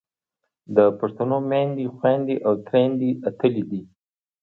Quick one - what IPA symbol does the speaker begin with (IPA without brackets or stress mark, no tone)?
d̪